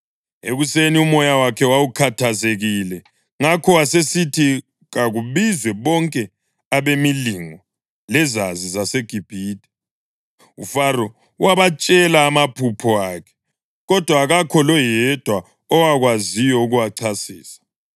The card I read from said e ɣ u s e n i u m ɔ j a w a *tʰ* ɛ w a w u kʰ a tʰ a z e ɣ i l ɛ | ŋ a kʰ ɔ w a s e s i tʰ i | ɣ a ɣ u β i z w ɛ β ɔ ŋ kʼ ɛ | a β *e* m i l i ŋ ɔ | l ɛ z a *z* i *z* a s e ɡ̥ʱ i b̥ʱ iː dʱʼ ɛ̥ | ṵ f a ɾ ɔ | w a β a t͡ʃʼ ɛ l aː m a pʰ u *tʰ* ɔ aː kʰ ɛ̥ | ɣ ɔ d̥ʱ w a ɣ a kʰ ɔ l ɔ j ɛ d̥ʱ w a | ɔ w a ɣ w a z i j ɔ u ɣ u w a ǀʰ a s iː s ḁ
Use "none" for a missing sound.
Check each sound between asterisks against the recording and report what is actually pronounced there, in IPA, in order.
kʰ, e, z, z, pʰ

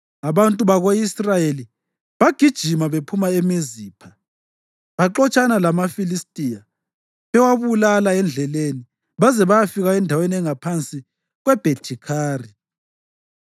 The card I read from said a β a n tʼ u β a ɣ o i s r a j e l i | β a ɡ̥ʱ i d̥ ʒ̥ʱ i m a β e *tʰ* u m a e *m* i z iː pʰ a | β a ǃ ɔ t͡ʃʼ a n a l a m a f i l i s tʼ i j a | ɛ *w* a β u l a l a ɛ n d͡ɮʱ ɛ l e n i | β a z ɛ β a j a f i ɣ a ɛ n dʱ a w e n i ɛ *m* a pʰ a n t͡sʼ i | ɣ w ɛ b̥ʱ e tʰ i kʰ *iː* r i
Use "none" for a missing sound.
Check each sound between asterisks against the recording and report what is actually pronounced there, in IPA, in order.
pʰ, m, w, ŋ, aː

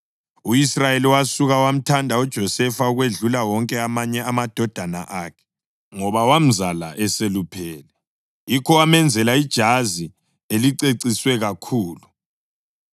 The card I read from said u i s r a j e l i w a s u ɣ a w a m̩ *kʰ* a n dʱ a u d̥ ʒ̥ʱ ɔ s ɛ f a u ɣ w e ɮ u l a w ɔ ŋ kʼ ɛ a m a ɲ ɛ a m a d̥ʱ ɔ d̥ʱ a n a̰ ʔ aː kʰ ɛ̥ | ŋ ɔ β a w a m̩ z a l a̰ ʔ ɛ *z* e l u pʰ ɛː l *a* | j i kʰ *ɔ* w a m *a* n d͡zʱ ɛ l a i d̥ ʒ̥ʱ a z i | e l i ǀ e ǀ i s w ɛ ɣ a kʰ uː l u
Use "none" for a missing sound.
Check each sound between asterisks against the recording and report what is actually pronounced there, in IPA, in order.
tʰ, s, ɛ, ɔ, ɛ

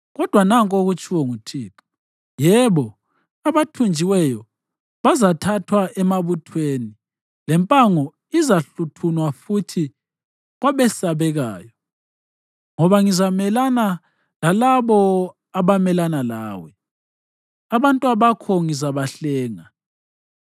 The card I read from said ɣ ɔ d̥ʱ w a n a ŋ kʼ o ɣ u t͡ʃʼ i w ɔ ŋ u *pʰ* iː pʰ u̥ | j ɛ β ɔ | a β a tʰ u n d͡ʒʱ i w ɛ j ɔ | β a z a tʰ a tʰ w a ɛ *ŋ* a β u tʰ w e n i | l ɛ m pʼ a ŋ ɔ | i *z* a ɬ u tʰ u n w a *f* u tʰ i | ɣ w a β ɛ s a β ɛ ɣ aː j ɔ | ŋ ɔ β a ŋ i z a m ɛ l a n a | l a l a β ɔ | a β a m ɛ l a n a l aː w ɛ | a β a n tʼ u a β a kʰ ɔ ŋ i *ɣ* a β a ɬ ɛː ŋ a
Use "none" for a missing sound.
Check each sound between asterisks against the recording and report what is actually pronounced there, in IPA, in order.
tʰ, m, z, f, z

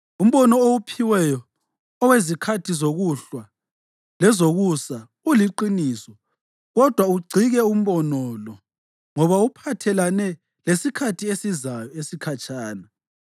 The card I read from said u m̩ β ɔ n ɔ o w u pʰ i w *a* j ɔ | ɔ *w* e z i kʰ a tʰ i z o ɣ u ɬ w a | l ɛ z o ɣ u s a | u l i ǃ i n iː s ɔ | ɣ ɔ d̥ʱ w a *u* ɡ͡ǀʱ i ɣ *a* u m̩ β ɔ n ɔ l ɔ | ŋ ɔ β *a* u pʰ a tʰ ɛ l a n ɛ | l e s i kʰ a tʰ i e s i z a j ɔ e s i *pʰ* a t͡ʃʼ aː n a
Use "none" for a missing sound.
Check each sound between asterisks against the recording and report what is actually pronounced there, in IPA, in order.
ɛ, w, u, ɛ, a, kʰ

